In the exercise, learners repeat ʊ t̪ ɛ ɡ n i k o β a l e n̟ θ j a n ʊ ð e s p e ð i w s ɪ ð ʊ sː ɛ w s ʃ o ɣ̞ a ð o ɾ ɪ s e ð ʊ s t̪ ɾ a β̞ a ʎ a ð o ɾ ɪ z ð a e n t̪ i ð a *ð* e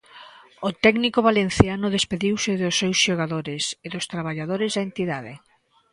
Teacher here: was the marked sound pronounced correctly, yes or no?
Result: yes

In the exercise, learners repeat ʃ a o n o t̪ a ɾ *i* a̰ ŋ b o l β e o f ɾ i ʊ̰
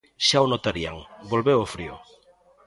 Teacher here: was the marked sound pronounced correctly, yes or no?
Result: yes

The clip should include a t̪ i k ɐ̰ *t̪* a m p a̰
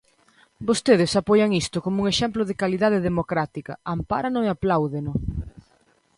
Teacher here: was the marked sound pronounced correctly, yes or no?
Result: no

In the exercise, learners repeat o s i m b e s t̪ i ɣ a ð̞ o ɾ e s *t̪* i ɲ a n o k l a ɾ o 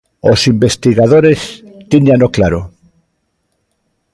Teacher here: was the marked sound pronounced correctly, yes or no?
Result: yes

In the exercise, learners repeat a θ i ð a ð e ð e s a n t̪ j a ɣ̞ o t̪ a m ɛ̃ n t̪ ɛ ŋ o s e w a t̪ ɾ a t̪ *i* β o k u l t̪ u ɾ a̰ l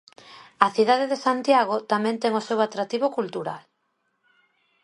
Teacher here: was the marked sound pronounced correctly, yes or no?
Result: yes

